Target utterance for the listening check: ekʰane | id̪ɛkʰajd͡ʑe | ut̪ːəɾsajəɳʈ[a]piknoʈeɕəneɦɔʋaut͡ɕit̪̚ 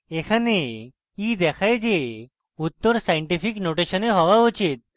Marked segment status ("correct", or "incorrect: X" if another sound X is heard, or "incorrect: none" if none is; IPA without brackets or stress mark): incorrect: i